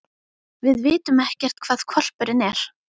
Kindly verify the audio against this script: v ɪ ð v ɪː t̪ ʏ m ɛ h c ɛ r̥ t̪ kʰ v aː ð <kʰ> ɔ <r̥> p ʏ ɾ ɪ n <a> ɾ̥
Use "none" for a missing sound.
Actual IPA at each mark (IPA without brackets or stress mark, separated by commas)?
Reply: kʰ, l̥, ɛ